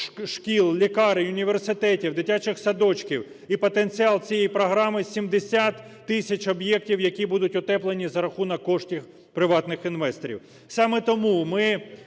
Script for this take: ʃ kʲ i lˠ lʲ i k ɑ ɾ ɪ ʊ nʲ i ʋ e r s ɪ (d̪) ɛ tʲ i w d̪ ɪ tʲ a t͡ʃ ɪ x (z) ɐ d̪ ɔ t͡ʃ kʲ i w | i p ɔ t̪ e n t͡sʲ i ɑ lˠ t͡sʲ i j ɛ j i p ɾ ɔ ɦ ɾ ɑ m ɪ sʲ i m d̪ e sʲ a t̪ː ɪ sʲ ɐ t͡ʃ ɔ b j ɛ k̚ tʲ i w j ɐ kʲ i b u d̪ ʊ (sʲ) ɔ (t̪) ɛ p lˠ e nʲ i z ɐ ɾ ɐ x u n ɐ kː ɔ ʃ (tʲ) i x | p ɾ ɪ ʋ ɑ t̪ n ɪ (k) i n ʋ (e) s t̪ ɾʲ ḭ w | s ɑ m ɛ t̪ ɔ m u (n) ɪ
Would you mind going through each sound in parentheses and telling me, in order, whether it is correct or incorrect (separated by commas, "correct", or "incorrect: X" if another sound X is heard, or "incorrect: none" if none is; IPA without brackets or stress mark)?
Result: incorrect: t̪, incorrect: s, incorrect: tʲ, correct, correct, incorrect: x, incorrect: ɛ, incorrect: m